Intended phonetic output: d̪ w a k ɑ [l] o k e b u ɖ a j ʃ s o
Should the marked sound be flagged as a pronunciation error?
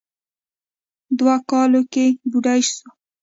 no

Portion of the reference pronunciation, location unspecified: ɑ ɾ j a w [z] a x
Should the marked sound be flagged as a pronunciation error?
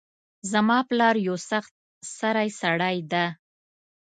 yes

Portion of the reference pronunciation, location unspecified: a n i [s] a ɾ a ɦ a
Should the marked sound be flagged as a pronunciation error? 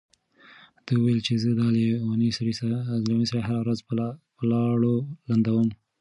no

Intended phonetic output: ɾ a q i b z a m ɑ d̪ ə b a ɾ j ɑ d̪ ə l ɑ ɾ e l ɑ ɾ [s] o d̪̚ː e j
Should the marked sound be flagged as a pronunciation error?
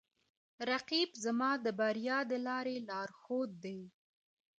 yes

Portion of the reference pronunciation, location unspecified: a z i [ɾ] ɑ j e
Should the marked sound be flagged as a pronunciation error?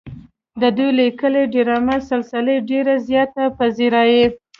no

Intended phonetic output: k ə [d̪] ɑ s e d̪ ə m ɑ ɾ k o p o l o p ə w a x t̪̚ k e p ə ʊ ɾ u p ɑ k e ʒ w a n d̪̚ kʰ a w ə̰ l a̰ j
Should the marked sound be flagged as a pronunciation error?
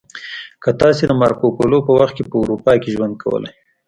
yes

